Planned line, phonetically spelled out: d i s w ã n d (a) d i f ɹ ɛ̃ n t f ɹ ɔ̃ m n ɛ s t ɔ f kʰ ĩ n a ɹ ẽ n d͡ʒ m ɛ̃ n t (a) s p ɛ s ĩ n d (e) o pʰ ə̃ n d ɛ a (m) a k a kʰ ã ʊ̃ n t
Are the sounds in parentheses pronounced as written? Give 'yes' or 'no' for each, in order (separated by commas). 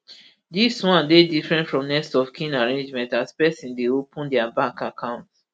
no, yes, yes, no